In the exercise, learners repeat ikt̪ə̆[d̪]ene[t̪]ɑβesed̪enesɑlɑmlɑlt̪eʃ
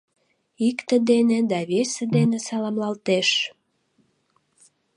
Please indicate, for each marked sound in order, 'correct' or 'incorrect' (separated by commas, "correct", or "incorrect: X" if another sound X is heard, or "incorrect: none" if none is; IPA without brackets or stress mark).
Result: correct, incorrect: d̪